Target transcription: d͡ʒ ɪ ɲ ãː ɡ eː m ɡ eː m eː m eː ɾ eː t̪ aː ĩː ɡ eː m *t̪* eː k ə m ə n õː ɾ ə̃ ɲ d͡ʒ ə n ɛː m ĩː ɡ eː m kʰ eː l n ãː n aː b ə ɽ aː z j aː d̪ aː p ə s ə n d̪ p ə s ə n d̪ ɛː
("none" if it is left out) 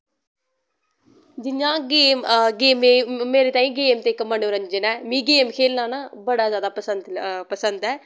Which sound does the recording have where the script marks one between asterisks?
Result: t̪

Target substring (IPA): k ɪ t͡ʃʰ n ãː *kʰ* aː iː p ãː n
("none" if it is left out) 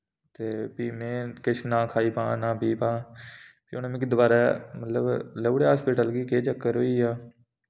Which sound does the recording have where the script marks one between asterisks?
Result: kʰ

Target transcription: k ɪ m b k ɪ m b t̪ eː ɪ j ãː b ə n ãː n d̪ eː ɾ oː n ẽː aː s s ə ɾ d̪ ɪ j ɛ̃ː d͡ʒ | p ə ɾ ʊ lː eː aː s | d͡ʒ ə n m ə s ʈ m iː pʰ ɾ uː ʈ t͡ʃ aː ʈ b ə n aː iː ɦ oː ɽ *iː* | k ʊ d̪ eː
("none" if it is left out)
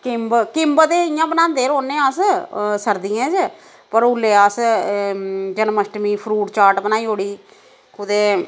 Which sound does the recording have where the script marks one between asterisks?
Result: iː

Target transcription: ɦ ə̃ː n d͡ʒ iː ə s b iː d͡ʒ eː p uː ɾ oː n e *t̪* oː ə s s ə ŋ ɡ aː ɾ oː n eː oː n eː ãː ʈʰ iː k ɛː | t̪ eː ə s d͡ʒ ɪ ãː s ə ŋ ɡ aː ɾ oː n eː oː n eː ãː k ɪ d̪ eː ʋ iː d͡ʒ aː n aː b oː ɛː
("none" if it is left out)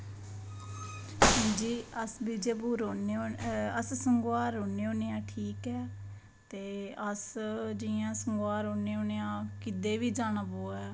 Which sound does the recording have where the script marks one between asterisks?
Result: none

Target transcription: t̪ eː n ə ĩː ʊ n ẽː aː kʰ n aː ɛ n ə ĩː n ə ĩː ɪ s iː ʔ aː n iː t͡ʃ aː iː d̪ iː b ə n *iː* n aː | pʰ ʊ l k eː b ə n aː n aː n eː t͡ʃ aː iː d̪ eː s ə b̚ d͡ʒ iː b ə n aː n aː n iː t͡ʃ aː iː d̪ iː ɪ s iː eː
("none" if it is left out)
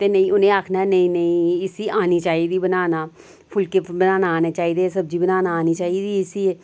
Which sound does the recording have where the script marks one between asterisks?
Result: aː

